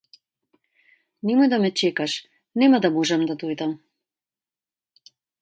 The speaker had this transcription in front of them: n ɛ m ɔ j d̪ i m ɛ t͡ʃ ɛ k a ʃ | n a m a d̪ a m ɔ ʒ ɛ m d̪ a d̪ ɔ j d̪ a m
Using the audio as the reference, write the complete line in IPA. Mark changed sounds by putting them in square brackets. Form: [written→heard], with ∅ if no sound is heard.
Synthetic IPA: n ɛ m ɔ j d̪ [i→a] m ɛ t͡ʃ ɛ k a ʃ | n [a→ɛ] m a d̪ a m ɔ ʒ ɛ m d̪ a d̪ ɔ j d̪ a m